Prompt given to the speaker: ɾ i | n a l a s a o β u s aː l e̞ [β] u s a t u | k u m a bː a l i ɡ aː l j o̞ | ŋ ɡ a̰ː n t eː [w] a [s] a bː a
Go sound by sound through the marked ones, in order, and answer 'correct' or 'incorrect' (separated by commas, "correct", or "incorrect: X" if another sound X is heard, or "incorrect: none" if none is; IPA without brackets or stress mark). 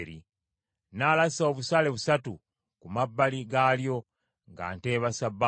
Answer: correct, incorrect: β, correct